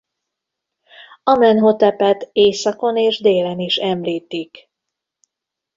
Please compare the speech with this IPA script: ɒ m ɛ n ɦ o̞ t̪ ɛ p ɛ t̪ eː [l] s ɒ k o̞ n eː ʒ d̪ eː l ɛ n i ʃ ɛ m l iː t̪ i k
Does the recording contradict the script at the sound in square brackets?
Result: yes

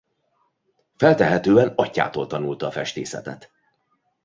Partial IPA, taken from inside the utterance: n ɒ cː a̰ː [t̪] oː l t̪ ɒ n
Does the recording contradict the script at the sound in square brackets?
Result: no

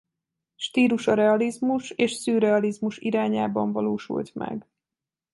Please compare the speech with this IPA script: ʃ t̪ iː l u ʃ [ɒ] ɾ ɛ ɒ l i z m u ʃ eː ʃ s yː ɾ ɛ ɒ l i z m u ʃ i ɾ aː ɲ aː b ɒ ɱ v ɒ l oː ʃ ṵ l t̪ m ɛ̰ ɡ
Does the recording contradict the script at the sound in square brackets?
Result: no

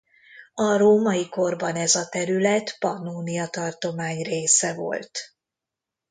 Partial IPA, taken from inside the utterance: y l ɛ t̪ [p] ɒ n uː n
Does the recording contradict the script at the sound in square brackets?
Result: no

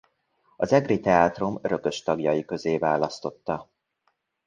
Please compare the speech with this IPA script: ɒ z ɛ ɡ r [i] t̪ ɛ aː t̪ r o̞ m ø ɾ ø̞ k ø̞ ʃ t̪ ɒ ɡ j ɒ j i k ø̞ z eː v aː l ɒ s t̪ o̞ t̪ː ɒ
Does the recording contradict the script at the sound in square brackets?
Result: no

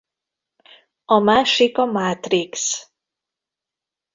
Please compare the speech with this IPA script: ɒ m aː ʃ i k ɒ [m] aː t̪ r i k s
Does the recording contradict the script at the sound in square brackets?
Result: no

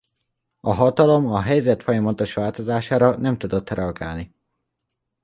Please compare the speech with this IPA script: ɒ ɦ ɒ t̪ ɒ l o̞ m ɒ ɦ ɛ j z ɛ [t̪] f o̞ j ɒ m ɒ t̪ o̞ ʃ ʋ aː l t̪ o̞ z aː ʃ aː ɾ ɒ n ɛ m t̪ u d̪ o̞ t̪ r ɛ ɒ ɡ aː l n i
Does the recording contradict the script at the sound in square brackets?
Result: no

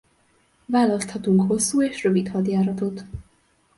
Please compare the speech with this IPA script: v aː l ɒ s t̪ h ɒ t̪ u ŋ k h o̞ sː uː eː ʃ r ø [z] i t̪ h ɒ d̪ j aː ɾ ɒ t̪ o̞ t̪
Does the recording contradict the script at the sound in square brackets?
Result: yes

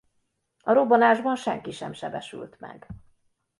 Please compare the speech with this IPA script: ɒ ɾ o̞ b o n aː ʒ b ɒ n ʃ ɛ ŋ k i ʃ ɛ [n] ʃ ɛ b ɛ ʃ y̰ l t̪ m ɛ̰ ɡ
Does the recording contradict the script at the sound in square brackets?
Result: yes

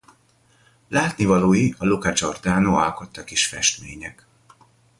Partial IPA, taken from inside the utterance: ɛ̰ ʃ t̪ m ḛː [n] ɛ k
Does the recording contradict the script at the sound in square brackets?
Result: yes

